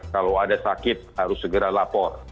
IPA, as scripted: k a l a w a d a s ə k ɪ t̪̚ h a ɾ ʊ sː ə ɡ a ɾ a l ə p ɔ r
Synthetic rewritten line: k a l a w a d a s a k ɪ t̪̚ h a ɾ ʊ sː ə ɡ ə ɾ a l a p ɔ r

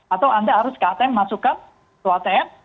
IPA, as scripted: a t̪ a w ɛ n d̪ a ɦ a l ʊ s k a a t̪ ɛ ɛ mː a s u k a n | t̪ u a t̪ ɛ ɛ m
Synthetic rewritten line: a t̪ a w a n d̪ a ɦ a ɾ ʊ s k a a t̪ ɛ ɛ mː a s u k a n | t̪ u a t̪ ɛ ɛ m

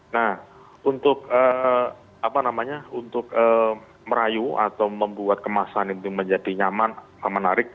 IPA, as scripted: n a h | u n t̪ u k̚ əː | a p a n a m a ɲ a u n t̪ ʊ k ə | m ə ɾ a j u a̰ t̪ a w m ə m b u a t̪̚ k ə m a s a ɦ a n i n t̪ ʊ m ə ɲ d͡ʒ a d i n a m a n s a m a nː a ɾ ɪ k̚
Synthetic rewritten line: n a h | u n t̪ ʊ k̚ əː | a p a n a m a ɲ a u n t̪ ʊ k ə | m ə ɾ a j u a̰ t̪ a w m ə m b u a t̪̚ k ə m a s a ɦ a n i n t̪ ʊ m ə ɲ d͡ʒ a d i ɲ a m a n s a m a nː a ɾ ɪ k̚

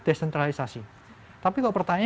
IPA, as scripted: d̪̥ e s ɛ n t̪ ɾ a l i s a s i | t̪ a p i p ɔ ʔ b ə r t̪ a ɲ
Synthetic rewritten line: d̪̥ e s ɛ n t̪ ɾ a l i s a s i | t̪ a p i k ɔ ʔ p ə r t̪ a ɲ

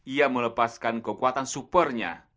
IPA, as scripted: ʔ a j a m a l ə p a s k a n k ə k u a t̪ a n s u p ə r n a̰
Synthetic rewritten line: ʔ i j a m ə l ə p a s k a n k ə k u a t̪ a n s u p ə r ɲ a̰

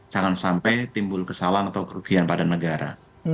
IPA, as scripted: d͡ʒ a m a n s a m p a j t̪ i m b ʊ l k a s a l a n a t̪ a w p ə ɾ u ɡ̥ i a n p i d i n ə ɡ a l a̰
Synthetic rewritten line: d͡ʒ a ŋ a n s a m p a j t̪ i m b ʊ l k ə s a l a n a t̪ a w k ə ɾ u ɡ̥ i a n p a d a n ə ɡ a ɾ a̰

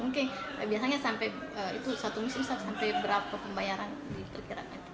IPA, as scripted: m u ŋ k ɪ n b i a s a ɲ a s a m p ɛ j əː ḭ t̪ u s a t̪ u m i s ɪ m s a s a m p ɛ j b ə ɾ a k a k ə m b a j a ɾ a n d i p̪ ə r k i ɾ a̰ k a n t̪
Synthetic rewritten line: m u ŋ k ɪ n b i a s a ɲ a s a m p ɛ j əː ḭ t̪ u s a t̪ u m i s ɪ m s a s a m p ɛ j b ə ɾ a p a p ə m b a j a ɾ a n d i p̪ ə r k i ɾ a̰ k a n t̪

